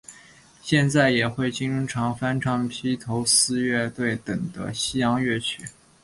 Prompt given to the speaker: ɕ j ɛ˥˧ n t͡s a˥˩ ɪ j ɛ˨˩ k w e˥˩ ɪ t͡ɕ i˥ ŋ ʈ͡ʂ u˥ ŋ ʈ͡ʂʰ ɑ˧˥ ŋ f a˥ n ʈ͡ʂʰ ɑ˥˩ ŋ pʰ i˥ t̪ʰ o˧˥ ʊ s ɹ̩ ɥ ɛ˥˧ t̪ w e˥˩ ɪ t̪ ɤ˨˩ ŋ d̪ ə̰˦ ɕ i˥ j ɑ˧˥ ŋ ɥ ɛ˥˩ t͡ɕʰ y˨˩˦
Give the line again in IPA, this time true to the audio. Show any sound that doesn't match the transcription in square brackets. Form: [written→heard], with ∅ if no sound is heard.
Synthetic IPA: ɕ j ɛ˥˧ n t͡s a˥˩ ɪ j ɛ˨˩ [k→x] w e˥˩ ɪ t͡ɕ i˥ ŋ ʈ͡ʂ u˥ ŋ ʈ͡ʂʰ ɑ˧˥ ŋ f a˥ n ʈ͡ʂʰ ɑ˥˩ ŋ pʰ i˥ t̪ʰ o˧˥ ʊ s ɹ̩ ɥ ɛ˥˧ t̪ w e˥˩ ɪ t̪ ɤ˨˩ ŋ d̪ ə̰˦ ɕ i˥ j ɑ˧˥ ŋ ɥ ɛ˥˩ t͡ɕʰ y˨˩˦